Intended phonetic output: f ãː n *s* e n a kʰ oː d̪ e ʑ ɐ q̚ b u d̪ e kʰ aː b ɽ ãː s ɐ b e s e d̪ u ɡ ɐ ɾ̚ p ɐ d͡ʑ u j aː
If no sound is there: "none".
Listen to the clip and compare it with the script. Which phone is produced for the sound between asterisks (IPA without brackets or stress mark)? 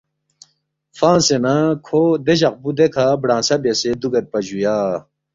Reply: s